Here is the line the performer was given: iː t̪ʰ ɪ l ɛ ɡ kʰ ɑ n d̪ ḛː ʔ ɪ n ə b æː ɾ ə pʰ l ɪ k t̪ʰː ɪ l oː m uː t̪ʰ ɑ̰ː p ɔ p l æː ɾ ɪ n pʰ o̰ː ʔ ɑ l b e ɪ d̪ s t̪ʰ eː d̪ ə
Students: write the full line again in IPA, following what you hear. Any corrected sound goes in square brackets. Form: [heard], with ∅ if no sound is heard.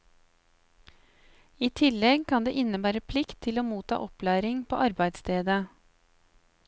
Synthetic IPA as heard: iː t̪ʰ ɪ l ɛ ɡ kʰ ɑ n d̪ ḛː ʔ ɪ n ə b æː ɾ ə pʰ l ɪ k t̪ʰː ɪ l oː m uː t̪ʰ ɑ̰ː [ʔ] ɔ p l æː ɾ ɪ [ŋ] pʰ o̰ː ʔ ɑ [ɾ] b [æ] ɪ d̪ s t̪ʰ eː d̪ ə